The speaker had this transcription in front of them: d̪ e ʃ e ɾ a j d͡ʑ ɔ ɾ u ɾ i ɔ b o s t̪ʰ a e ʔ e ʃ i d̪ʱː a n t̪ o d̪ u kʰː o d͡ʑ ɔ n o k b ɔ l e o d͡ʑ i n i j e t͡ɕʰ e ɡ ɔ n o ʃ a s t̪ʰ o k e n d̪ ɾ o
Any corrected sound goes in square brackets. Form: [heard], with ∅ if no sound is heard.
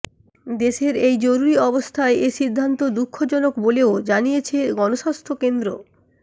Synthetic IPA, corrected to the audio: d̪ e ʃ e ɾ [e] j d͡ʑ [o] ɾ u ɾ i ɔ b o s t̪ʰ a e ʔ e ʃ i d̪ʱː a n t̪ o d̪ u kʰː o d͡ʑ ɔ n o k b [o] l e o d͡ʑ [a] n i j e t͡ɕʰ e ɡ ɔ n o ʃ a s t̪ʰ o k e n d̪ ɾ o